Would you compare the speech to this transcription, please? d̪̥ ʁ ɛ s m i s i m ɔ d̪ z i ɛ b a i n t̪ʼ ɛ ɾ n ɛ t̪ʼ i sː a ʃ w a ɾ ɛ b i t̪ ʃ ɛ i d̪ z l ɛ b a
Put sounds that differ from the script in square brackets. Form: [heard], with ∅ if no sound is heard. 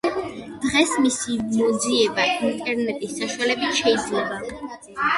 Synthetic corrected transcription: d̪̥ ʁ ɛ s m i s i m ɔ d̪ z i ɛ b a i n t̪ʼ ɛ ɾ n ɛ t̪ʼ i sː a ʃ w a [l] ɛ b i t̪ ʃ ɛ i d̪ z l ɛ b a